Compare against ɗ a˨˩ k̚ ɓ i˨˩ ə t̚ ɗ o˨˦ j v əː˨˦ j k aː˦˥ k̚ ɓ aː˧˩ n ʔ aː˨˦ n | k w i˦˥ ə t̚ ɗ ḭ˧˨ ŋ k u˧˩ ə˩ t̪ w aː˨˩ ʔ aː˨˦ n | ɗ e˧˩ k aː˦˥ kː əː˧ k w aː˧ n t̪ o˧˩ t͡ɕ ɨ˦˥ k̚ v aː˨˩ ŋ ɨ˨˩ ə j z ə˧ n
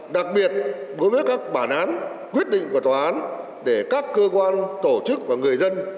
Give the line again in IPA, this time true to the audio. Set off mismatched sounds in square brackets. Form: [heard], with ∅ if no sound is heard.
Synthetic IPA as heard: ɗ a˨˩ k̚ ɓ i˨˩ ə t̚ ɗ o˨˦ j v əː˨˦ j k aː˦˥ k̚ ɓ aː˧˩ n ʔ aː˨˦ n | k w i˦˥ ə t̚ ɗ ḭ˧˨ ŋ k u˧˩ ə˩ t̪ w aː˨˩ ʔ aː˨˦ n | ɗ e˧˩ k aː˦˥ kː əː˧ k w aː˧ n t̪ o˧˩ t͡ɕ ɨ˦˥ k̚ v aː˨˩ ŋ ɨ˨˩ ə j z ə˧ n

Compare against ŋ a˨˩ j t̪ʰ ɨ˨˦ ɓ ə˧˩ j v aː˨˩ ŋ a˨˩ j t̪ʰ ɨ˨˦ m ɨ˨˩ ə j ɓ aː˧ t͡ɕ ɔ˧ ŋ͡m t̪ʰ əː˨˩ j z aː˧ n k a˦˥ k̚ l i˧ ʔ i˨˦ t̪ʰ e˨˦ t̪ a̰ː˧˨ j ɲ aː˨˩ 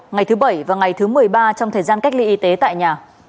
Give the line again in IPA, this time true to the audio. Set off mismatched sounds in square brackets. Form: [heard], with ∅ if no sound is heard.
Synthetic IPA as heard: ŋ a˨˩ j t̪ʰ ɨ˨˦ ɓ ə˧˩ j v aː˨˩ ŋ a˨˩ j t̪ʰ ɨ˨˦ m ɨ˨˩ ə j ɓ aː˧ t͡ɕ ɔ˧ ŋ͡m t̪ʰ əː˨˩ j z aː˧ n k a˦˥ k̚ l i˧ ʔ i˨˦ [t̪] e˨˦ t̪ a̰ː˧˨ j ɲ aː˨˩

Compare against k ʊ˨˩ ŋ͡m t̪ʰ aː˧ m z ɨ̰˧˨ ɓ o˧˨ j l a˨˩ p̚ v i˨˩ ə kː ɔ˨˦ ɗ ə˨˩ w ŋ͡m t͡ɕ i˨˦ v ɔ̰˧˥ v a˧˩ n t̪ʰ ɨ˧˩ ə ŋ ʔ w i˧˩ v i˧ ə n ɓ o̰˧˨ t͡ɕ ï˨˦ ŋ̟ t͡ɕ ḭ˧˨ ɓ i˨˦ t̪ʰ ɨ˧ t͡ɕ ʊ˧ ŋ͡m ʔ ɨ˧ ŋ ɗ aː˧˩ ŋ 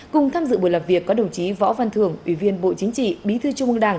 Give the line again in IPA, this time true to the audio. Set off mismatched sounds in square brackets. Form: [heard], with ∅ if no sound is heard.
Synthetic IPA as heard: k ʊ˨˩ ŋ͡m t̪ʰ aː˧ m z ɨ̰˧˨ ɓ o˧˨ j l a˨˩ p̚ v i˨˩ ə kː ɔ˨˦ ɗ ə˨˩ w ŋ͡m t͡ɕ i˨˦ v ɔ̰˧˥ v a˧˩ n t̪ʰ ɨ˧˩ ə ŋ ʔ w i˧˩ v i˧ ə n ɓ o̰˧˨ t͡ɕ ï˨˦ ŋ̟ t͡ɕ ḭ˧˨ ɓ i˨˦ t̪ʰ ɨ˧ t͡ɕ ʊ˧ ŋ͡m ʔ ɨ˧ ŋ ɗ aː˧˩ ŋ

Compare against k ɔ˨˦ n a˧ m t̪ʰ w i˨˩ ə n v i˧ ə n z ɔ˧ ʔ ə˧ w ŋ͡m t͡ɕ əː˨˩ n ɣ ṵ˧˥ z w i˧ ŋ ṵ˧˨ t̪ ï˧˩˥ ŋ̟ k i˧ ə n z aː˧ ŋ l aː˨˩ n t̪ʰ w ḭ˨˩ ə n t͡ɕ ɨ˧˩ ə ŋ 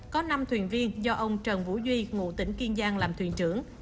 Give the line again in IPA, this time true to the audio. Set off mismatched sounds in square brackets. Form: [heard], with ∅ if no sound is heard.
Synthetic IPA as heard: k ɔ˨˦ n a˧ m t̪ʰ w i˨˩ ə n v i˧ ə n z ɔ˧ ʔ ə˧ w ŋ͡m t͡ɕ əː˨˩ n [v] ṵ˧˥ z w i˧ ŋ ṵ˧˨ t̪ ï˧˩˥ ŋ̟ k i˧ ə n z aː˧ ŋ l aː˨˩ [m] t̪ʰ w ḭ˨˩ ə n t͡ɕ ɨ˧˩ ə ŋ

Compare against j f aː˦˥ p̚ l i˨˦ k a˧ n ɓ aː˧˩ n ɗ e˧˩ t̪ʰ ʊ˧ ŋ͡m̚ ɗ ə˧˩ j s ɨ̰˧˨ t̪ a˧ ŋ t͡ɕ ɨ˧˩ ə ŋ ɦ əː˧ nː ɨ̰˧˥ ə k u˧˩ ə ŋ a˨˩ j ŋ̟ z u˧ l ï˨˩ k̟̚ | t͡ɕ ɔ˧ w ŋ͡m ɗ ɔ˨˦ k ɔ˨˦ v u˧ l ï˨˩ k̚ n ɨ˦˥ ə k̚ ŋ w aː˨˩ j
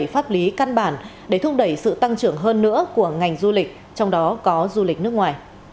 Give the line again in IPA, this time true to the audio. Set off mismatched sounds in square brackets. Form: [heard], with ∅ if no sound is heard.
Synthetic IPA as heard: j f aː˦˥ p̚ l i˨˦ k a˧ n ɓ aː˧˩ n ɗ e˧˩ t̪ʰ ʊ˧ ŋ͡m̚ ɗ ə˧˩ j s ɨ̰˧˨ t̪ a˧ ŋ t͡ɕ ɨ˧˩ ə ŋ ɦ əː˧ nː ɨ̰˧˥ ə k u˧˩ ə ŋ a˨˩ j ŋ̟ z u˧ l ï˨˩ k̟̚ | t͡ɕ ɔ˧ w ŋ͡m ɗ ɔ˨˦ k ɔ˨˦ [z] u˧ l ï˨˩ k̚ n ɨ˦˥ ə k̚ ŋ w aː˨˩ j

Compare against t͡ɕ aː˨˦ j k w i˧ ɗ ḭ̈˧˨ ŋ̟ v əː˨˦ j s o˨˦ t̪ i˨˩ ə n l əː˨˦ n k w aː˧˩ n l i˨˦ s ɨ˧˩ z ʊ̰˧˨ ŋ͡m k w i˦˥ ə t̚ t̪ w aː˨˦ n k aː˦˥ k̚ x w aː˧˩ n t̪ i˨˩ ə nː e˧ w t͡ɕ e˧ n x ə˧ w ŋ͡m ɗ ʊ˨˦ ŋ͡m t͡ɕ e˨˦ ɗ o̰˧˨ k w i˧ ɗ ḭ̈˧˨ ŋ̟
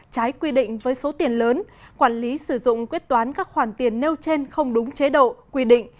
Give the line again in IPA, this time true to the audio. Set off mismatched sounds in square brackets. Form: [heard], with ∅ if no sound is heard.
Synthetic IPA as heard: t͡ɕ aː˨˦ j k w i˧ ɗ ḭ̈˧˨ ŋ̟ v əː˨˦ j s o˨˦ t̪ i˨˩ ə n l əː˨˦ n k w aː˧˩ n l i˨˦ s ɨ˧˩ z ʊ̰˧˨ ŋ͡m k w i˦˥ ə t̚ t̪ w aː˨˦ n k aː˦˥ k̚ x w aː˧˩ n t̪ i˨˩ ə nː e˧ w t͡ɕ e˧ n x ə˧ w ŋ͡m ɗ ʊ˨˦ ŋ͡m t͡ɕ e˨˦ ɗ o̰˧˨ k w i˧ ɗ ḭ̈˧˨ ŋ̟

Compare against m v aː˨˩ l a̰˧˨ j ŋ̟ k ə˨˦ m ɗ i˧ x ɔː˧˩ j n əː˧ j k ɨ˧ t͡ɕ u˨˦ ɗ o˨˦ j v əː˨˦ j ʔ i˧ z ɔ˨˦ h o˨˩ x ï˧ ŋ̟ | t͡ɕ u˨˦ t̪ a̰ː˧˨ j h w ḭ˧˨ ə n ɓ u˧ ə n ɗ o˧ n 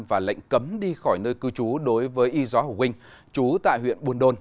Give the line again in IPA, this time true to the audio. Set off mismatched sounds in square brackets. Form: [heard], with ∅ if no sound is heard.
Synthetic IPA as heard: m v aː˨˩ l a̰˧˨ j ŋ̟ k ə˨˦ m ɗ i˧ x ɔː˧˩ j n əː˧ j k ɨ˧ t͡ɕ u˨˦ ɗ o˨˦ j v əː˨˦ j ʔ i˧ z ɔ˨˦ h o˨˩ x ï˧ ŋ̟ | t͡ɕ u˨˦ t̪ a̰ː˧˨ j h w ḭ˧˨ ə n ɓ u˧ ə n ɗ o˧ n

